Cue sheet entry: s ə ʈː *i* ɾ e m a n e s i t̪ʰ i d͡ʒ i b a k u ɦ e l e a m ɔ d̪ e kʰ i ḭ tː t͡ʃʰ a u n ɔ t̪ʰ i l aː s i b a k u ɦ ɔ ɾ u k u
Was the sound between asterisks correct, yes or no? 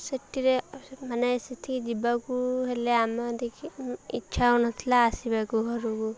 yes